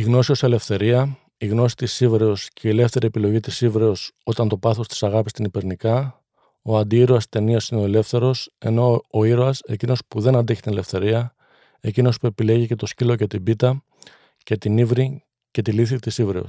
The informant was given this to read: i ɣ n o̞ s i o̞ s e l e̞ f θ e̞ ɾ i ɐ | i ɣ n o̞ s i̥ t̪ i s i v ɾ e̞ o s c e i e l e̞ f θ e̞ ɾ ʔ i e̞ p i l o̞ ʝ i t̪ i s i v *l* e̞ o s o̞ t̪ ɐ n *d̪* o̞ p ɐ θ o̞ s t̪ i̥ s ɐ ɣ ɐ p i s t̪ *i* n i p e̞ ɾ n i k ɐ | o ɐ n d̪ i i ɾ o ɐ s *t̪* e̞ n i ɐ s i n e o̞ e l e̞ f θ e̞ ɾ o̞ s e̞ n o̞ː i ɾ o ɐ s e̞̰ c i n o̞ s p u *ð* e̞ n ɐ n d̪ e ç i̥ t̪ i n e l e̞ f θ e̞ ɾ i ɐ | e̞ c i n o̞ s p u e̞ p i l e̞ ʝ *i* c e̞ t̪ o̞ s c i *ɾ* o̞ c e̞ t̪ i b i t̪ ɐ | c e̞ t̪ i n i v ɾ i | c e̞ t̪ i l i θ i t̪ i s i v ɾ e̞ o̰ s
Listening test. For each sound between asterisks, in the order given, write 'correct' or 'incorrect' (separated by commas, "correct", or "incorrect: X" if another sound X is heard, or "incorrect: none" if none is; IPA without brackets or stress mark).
incorrect: ɾ, incorrect: t̪, correct, correct, correct, correct, incorrect: l